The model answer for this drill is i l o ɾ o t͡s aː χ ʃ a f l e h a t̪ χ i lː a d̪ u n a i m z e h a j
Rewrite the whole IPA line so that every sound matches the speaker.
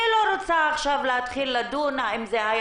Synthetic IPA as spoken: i l o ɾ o t͡s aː χ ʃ a v l e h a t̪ χ i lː a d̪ u n a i m z e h a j